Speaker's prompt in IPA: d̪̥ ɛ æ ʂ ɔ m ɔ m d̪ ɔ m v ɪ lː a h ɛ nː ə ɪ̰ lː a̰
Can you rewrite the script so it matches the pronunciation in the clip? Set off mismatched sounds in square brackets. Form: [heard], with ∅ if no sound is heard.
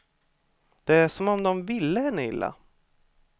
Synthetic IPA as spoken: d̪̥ ɛ æ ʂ ɔ m ɔ m d̪ ɔ m v ɪ lː [ə] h ɛ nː ə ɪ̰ lː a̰

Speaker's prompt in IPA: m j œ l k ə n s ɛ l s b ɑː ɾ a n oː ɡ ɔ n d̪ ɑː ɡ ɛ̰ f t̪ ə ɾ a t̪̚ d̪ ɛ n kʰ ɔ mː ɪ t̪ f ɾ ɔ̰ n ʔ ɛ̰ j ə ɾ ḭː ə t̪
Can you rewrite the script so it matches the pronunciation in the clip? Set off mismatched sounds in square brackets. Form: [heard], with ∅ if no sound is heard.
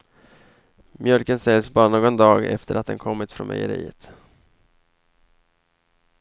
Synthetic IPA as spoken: m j œ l k ə n s ɛ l s b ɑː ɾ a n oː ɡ ɔ n d̪ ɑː ɡ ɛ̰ f t̪ ə ɾ a t̪̚ d̪ ɛ n kʰ ɔ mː ɪ t̪ f ɾ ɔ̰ n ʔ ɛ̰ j ə ɾ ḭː ə t̪

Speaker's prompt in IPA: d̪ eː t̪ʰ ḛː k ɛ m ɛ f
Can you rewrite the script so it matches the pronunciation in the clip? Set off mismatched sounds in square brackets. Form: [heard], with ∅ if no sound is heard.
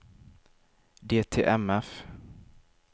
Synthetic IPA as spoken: d̪ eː t̪ʰ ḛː [ʔ] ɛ m ɛ f

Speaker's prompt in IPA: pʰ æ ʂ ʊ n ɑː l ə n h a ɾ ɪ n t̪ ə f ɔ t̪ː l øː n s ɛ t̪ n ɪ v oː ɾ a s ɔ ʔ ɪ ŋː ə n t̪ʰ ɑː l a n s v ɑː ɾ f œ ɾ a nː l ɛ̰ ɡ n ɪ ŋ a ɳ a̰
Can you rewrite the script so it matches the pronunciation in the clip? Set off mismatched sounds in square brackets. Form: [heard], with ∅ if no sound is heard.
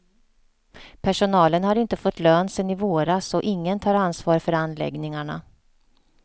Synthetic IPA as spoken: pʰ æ ʂ ʊ n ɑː l ə n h a ɾ ɪ n t̪ ə f ɔ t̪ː l øː n s ɛ [∅] n ɪ v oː ɾ a s ɔ ʔ ɪ ŋː ə n t̪ʰ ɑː [ɾ] a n s v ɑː ɾ f œ ɾ a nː l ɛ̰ ɡ n ɪ ŋ a ɳ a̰

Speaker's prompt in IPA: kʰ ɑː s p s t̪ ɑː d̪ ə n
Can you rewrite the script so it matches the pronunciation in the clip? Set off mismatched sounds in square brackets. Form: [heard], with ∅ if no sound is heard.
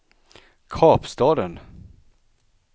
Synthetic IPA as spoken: kʰ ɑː [∅] p s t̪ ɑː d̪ ə n

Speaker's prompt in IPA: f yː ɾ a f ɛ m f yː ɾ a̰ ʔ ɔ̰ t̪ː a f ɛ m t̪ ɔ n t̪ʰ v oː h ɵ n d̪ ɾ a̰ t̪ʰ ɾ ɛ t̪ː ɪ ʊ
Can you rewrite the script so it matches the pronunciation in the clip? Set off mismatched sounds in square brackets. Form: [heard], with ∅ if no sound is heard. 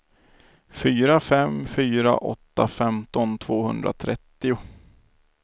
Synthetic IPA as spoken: f yː ɾ a f ɛ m f yː ɾ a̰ ʔ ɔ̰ t̪ː a f ɛ m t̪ ɔ n t̪ʰ v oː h ɵ n d̪ ɾ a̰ t̪ʰ ɾ ɛ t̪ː ɪ ʊ

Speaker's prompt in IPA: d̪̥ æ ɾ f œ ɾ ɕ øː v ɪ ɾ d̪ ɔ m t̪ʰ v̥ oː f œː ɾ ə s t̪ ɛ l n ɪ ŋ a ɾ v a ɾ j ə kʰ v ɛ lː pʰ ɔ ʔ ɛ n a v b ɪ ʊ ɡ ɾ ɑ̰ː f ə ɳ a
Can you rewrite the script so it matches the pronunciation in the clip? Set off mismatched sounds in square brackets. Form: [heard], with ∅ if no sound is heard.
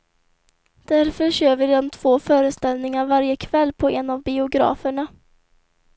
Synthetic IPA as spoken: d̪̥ æ ɾ f œ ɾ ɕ øː v ɪ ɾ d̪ ɔ m t̪ʰ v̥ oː f œː ɾ ə s t̪ ɛ l n ɪ ŋ a ɾ v a ɾ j ə kʰ v ɛ lː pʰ ɔ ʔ ɛ n a v b ɪ ʊ ɡ ɾ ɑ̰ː f ə ɳ a

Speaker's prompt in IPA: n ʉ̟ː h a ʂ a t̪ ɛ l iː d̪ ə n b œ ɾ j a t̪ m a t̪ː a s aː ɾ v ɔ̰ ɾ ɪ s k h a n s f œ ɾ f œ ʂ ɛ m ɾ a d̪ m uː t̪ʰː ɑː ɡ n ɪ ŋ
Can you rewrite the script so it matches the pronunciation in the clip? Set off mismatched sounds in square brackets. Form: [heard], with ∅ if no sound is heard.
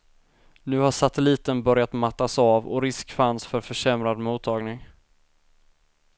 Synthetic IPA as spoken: n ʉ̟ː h a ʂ a t̪ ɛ l iː [t̪] ə n b œ ɾ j a t̪ m a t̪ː a s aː [∅] v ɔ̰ ɾ ɪ s k [f] a n s f œ ɾ f œ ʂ ɛ m ɾ a d̪ m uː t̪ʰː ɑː ɡ n ɪ ŋ

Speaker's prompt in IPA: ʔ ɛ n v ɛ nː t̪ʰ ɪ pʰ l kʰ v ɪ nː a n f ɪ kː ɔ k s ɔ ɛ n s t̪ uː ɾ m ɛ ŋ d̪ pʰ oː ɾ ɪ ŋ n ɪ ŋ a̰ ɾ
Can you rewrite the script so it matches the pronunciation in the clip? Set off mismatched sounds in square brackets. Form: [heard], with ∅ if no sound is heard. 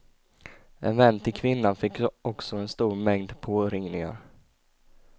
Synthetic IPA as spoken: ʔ ɛ n v ɛ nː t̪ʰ ɪ [∅] l kʰ v ɪ nː a n f ɪ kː ɔ k s ɔ ɛ n s t̪ uː ɾ m ɛ ŋ d̪ pʰ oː ɾ ɪ ŋ n ɪ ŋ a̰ ɾ

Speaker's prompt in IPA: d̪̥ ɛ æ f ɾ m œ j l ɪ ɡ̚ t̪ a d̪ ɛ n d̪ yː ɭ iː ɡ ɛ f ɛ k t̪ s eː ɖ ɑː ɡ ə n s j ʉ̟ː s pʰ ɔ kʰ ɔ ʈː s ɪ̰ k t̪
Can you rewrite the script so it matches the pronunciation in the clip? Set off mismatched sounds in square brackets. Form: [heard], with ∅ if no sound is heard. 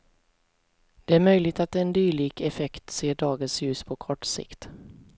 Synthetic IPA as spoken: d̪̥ ɛ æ [∅] ɾ m œ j l ɪ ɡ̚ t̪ a [t̪] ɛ n d̪ yː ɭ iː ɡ ɛ f ɛ k t̪ s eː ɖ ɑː ɡ ə n s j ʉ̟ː s pʰ ɔ kʰ ɔ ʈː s ɪ̰ k t̪

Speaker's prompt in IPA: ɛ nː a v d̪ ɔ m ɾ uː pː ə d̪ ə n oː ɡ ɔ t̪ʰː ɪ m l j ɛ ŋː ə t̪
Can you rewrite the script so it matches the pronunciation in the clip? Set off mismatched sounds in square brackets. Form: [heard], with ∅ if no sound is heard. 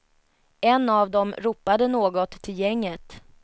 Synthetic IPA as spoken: ɛ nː a v d̪ ɔ m ɾ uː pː [a] d̪ ə n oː ɡ ɔ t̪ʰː ɪ [∅] l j ɛ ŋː ə t̪

